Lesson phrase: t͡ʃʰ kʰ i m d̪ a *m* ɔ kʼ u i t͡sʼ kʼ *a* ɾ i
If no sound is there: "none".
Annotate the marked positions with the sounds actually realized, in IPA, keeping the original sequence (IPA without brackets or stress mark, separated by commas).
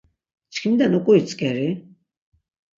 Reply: n, ɛ